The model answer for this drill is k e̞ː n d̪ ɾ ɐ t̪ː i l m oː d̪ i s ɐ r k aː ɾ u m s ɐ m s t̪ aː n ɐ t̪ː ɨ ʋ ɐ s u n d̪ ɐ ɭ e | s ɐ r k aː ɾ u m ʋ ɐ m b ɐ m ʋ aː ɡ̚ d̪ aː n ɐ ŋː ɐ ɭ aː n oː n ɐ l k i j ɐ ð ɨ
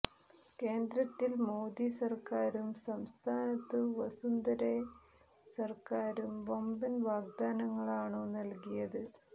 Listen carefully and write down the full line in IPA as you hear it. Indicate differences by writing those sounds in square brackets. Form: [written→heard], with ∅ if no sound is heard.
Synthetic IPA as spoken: k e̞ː n d̪ ɾ ɐ t̪ː i l m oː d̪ i s ɐ r k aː ɾ u m s ɐ m s [t̪→t̪ʰ] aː n ɐ t̪ː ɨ ʋ ɐ s u n d̪ ɐ [ɭ→ɾ] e | s ɐ r k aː ɾ u m ʋ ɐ m b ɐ [m→n] ʋ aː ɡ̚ d̪ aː n ɐ ŋː ɐ ɭ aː [n→ɳ] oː n ɐ l k i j ɐ ð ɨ